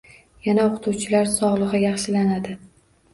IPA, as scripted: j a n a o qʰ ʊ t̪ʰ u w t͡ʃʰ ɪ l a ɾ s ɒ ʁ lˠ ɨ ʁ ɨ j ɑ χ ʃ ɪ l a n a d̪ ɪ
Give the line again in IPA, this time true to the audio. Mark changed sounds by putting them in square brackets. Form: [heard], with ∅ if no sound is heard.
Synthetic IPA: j a n a o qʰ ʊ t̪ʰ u w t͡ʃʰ ɪ l a ɾ s ɒ ʁ lˠ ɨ ʁ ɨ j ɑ χ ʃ ɪ l a n a d̪ ɪ